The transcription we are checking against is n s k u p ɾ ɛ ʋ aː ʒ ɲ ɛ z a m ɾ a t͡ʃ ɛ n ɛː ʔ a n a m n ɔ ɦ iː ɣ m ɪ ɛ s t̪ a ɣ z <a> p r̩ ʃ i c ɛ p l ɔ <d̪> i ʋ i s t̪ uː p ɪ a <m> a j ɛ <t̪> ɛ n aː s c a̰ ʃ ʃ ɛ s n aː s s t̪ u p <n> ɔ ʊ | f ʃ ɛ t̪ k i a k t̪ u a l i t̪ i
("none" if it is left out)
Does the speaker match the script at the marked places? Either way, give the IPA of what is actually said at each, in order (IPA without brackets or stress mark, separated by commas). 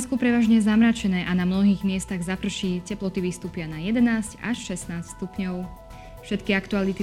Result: a, t̪, n, d̪, ɲ